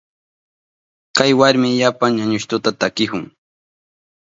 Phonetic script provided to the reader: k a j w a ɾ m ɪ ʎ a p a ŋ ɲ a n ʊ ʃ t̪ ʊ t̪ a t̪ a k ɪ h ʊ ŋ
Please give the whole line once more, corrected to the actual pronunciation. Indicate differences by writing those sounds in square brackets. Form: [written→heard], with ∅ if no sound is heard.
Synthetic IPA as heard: k a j w a ɾ m ɪ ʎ a p a ŋ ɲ a [n→ɲ] ʊ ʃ t̪ ʊ t̪ a t̪ a k ɪ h ʊ ŋ